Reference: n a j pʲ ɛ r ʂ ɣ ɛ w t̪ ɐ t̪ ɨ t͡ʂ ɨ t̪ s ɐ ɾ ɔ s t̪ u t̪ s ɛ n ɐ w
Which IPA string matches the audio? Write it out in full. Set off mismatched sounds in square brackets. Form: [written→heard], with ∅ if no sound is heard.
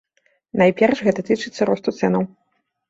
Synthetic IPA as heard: n a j pʲ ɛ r ʂ ɣ ɛ [w→∅] t̪ ɐ t̪ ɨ t͡ʂ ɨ t̪ [s→sː] ɐ ɾ ɔ s t̪ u t̪ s ɛ n ɐ w